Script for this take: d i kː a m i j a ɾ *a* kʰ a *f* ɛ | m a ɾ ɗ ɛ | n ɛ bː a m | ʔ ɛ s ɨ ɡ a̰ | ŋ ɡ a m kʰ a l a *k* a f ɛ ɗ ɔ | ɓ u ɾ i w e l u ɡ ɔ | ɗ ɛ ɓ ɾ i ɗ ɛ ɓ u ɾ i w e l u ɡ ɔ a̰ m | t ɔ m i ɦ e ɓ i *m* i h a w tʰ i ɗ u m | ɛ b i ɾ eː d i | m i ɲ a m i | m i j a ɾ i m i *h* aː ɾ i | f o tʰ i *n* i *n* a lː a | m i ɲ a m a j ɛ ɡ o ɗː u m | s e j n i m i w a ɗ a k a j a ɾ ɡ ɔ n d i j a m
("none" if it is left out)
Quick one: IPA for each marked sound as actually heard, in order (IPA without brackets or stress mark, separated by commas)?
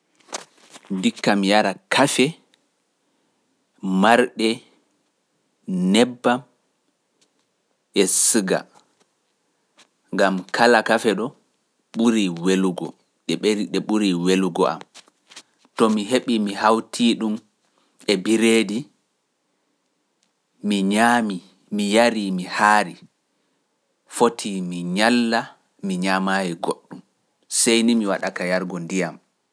a, f, k, m, h, m, ɲ